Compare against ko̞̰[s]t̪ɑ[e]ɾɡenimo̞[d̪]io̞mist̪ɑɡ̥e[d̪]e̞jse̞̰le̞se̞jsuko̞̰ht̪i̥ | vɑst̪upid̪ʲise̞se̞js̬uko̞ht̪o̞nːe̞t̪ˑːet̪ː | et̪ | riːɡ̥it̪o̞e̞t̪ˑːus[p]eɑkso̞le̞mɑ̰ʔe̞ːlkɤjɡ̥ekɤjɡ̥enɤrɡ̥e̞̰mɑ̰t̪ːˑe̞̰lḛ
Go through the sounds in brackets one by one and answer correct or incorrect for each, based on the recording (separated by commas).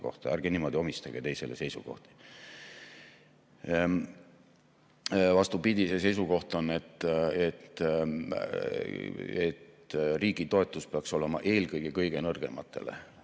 incorrect, incorrect, correct, incorrect, correct